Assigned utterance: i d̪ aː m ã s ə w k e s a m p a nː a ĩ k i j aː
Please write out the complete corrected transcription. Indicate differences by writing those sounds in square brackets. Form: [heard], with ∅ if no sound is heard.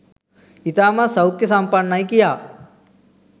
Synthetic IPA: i [t̪] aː m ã s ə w k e s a m p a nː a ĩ k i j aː